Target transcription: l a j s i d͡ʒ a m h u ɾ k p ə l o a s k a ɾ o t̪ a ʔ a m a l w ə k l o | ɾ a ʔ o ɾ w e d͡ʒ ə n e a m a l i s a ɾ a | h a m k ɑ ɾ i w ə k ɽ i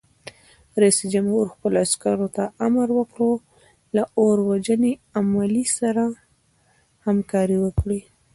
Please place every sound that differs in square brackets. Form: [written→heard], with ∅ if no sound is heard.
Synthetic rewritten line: [l→ɾ] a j s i d͡ʒ a m h u ɾ [k→x] p ə l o a s k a ɾ o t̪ a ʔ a m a [l→ɾ] w ə k [l→ɽ] o | [ɾ→l] a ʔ o ɾ w [e→a] d͡ʒ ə n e a m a l i s a ɾ a | h a m k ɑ ɾ i w ə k ɽ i